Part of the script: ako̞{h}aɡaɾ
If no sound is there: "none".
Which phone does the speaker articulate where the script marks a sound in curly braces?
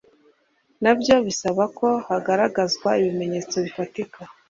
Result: h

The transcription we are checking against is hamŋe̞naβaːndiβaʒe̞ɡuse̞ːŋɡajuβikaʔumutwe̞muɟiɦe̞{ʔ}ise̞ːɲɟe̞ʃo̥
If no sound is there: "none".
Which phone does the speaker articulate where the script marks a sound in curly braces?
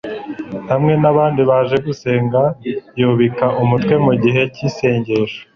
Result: c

